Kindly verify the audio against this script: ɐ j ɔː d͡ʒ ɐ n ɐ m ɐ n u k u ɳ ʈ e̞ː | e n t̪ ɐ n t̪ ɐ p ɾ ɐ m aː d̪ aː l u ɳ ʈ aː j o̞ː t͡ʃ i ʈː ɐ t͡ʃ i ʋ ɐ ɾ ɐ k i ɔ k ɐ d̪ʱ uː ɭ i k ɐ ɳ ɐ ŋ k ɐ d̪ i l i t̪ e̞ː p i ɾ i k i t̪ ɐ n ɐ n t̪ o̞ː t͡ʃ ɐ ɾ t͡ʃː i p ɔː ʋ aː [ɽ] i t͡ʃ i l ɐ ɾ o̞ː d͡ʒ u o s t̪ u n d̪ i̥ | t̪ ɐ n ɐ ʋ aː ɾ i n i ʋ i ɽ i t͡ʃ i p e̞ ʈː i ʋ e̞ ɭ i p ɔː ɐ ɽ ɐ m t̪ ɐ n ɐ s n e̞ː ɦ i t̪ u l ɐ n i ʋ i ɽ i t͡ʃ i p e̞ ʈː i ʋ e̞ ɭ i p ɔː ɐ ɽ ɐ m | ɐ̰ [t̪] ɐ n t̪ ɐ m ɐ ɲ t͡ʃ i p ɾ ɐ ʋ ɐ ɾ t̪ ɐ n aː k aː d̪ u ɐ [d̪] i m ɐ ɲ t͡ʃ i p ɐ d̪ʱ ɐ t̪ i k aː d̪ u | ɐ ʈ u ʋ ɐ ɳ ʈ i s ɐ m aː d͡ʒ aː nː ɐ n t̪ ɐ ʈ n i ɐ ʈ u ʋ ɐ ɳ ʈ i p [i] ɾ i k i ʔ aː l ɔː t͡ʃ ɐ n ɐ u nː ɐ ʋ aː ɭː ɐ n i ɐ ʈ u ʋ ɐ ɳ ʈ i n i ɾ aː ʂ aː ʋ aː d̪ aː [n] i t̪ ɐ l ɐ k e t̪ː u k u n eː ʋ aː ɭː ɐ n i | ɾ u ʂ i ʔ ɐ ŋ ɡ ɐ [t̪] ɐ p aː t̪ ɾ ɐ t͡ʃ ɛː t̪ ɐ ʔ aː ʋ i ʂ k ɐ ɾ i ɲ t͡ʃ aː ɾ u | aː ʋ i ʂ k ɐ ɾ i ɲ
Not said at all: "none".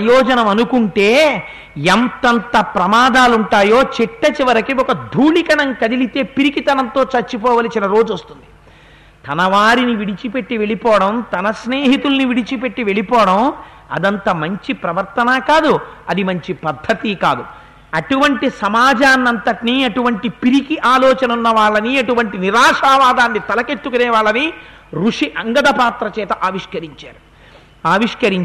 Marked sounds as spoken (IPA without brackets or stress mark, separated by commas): l, d̪, d̪, i, nː, d̪